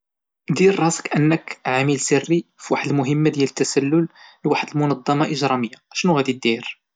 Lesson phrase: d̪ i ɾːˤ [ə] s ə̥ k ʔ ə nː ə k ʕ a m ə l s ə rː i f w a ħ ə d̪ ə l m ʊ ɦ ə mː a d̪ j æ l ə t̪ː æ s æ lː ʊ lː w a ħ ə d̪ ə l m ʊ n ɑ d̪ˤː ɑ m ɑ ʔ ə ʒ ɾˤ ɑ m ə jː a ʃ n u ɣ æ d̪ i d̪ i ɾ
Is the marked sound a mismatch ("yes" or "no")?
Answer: yes